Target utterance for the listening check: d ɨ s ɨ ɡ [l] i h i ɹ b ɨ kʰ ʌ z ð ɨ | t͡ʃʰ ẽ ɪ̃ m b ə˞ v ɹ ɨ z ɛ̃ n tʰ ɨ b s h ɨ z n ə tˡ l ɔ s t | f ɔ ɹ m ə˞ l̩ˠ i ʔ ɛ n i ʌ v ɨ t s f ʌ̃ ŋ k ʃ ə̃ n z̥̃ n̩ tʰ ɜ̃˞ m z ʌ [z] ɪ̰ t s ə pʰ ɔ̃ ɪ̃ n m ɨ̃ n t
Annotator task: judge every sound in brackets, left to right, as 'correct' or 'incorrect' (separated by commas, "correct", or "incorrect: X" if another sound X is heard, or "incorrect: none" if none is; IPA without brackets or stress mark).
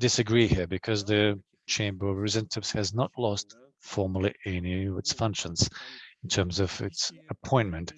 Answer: incorrect: ɹ, incorrect: v